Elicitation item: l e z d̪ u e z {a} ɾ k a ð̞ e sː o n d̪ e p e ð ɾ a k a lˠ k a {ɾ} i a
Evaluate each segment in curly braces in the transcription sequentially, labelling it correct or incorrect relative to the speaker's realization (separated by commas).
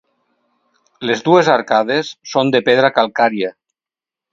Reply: correct, correct